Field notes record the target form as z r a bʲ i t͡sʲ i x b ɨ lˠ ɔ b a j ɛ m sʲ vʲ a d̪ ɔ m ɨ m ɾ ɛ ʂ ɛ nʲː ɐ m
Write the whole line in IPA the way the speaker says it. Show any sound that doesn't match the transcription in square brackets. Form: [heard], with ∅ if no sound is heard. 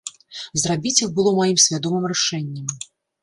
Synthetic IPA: z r a bʲ i t͡sʲ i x b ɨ lˠ ɔ [m] a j [i] m sʲ vʲ a d̪ ɔ m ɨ m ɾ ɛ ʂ ɛ nʲː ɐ m